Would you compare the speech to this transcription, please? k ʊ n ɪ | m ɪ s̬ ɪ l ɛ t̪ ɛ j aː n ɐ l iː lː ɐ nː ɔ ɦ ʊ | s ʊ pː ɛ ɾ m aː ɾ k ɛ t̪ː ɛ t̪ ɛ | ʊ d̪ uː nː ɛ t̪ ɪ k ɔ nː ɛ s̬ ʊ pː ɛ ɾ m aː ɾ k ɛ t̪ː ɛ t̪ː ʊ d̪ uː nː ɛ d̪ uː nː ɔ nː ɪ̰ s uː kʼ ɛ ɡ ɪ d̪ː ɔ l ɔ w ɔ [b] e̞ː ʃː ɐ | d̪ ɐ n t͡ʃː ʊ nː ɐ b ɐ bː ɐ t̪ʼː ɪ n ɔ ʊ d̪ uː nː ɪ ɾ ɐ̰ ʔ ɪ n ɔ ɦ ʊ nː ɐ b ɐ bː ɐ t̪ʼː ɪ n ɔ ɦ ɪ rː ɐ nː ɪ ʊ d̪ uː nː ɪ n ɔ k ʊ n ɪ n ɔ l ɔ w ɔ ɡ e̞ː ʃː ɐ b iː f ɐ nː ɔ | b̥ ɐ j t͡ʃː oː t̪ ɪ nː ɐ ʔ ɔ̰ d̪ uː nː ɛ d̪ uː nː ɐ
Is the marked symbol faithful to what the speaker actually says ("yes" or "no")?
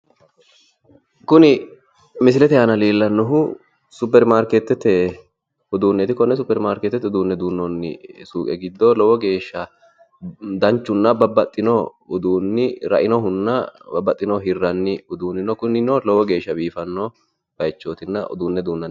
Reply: no